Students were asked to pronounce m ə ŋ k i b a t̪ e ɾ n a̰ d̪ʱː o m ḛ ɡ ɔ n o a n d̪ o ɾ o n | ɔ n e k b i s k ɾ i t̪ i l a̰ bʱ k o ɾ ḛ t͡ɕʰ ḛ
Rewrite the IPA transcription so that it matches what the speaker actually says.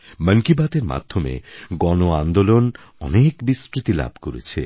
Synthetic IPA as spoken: m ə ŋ k i b a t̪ e ɾ m a̰ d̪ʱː o m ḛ ɡ ɔ n o a n d̪ o l o n | ɔ n e k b i s k ɾ i t̪ i l a̰ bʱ k o ɾ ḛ t͡ɕʰ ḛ

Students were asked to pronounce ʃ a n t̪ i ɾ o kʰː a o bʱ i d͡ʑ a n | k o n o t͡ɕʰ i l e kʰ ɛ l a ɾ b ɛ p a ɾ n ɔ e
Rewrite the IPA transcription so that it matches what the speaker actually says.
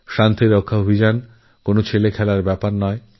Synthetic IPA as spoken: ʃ a n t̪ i ɾ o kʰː a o bʱ i d͡ʑ a n | k o n o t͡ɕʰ e l e kʰ ɛ l a ɾ b ɛ p a ɾ n ɔ e

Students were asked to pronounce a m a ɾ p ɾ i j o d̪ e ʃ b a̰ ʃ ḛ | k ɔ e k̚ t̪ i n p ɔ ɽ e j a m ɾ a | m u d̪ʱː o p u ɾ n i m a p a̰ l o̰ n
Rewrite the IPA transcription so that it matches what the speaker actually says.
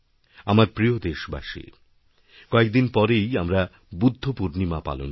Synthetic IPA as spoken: a m a ɾ p ɾ i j o d̪ e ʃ b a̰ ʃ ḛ | k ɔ e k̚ d̪ i n p ɔ ɾ e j a m ɾ a | b u d̪ʱː o p u ɾ n i m a p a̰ l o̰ n

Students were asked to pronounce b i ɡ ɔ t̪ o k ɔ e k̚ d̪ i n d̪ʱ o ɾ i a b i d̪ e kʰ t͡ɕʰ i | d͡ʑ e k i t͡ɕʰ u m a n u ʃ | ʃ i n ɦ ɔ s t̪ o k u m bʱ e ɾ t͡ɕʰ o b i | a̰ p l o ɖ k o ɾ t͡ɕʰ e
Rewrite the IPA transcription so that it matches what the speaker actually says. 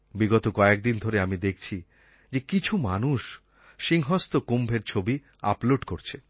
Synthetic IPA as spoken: b i ɡ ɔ t̪ o k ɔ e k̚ d̪ i n d̪ʱ o ɾ e a m i d̪ e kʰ t͡ɕʰ i | d͡ʑ e k i t͡ɕʰ u m a n u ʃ | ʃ i ŋ ɦ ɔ s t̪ o k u m bʱ e ɾ t͡ɕʰ o b i | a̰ p l o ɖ k o ɾ t͡ɕʰ e

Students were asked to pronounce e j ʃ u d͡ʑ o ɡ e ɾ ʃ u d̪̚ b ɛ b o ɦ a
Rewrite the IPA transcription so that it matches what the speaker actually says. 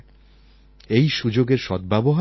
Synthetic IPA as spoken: e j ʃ u d͡ʑ o ɡ e ɾ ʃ ɔ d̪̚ b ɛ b o ɦ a

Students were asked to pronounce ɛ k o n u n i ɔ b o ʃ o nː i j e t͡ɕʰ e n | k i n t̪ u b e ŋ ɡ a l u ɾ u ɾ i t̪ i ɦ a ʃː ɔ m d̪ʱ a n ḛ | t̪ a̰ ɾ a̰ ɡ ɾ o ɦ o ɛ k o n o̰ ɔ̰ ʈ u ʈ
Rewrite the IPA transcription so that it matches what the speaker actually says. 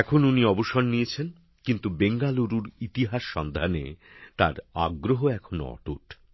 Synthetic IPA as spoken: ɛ kʰ o n u n i ɔ b o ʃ o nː i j e t͡ɕʰ e n | k i n t̪ u b e ŋ ɡ a l u ɾ u ɾ i t̪ i ɦ a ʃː ɔ n d̪ʱ a n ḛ | t̪ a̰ ɾ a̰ ɡ ɾ o ɦ o ɛ kʰ o n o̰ ɔ̰ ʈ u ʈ

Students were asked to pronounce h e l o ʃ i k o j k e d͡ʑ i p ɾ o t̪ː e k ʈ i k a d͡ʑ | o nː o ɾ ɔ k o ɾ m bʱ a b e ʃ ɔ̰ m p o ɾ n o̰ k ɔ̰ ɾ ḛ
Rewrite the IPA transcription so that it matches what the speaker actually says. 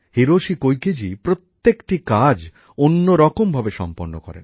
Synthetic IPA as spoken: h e ɾ o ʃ i k o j k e d͡ʑ i p ɾ o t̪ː e k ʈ i k a d͡ʑ | o nː o ɾ ɔ k o m bʱ a b e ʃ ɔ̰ m p o ɾ n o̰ k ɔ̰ ɾ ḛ

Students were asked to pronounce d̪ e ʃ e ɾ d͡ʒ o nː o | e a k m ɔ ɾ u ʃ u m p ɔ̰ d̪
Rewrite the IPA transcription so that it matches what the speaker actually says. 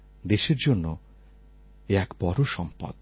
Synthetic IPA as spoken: d̪ e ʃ e ɾ d͡ʒ o nː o | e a k b ɔ ɾ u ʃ ɔ m p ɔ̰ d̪

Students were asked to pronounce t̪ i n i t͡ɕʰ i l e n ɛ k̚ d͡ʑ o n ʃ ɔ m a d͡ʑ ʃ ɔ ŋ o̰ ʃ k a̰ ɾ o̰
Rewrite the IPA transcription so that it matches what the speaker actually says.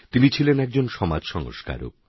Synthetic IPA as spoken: t̪ i n i t͡ɕʰ i l e n ɛ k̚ d͡ʑ o n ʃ ɔ m a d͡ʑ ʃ ɔ ŋ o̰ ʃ k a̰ ɾ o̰

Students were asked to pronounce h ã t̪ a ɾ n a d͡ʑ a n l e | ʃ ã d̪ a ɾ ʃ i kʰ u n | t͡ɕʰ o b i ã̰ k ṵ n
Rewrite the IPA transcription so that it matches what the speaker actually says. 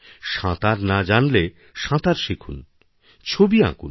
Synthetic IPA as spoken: ʃ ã t̪ a ɾ n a d͡ʑ a n l e | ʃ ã t̪ a ɾ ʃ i kʰ u n | t͡ɕʰ o b i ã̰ k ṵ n

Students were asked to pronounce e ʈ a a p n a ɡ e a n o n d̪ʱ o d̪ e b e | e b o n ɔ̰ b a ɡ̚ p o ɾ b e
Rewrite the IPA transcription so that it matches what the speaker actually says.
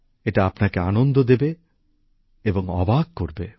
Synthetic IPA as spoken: e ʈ a a p n a k e a n o n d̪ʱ o d̪ e b e | e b o ŋ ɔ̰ b a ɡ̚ k o ɾ b e

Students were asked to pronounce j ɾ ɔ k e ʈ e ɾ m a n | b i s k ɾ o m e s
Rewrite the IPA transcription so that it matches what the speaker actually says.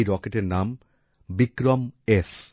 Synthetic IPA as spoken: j ɾ ɔ k e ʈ e ɾ n a m | b i k ɾ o m e s

